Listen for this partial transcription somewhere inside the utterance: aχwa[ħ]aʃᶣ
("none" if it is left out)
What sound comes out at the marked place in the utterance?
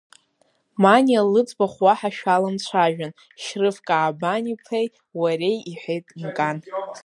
ħ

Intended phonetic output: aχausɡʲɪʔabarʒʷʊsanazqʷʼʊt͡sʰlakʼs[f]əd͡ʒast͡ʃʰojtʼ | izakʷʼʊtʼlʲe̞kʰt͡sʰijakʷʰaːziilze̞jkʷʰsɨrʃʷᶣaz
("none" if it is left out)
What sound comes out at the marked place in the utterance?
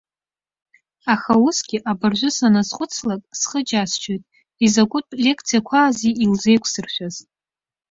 χ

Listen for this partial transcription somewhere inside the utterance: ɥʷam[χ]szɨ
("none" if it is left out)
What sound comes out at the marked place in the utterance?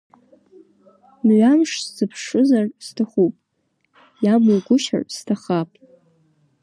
ʂ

